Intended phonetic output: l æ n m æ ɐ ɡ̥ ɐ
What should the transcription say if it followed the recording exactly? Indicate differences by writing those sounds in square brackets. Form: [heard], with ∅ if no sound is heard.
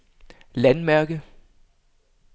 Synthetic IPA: l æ n m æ ɐ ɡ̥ [ə]